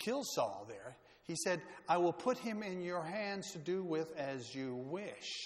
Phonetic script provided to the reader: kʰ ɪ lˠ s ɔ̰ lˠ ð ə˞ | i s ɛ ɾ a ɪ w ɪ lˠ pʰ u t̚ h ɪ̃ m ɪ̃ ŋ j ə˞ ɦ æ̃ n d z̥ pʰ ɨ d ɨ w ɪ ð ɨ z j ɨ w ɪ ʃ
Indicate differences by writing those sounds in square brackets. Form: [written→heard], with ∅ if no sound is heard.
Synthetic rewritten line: kʰ ɪ lˠ s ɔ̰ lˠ ð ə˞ | i s ɛ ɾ a ɪ w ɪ lˠ pʰ [u→ʊ] t̚ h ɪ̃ m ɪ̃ [ŋ→n] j ə˞ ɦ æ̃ n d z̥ [pʰ→tʰ] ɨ d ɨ w ɪ ð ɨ z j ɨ w ɪ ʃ